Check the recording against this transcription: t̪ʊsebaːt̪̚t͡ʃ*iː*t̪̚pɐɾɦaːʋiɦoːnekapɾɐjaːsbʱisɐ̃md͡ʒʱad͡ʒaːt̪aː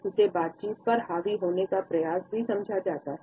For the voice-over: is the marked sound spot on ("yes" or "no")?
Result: yes